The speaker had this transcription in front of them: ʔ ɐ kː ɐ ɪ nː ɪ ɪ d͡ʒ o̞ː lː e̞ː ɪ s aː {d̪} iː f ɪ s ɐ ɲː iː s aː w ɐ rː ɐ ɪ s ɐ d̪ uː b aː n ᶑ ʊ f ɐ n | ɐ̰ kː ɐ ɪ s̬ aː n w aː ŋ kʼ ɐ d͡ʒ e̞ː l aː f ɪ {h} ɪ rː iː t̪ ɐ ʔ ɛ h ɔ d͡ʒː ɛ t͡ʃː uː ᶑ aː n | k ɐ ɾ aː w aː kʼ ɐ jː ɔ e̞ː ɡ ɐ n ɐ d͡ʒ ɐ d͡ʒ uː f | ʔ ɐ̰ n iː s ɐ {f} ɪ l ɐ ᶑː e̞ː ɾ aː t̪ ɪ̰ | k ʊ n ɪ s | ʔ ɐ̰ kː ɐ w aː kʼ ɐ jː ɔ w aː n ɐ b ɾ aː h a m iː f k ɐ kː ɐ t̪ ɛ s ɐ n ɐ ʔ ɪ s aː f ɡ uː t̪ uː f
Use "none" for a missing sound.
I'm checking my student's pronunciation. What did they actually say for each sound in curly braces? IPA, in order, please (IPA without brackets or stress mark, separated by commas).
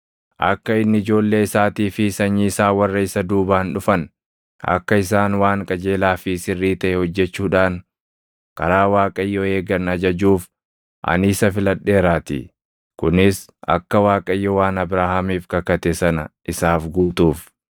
t̪, s, f